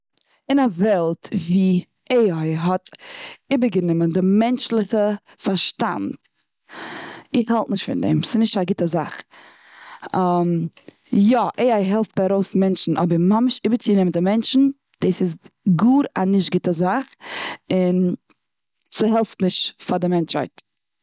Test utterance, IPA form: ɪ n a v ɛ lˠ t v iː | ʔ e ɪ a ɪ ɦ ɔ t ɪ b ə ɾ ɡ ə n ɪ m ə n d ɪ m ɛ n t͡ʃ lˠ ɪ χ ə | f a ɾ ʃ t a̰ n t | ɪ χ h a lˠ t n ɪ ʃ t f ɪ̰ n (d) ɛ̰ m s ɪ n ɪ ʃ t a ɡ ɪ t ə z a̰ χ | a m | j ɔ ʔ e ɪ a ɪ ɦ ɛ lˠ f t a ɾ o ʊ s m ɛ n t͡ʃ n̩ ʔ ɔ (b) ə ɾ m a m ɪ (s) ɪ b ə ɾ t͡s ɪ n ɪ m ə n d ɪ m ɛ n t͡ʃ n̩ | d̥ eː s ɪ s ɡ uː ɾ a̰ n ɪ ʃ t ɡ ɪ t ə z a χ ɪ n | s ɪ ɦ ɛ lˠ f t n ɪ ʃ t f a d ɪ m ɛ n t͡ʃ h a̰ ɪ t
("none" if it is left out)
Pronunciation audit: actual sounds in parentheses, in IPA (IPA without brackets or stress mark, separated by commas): d, b, ʃ